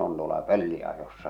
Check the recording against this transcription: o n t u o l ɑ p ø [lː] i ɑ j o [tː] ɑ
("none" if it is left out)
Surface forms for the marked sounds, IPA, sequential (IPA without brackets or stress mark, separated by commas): lː, sː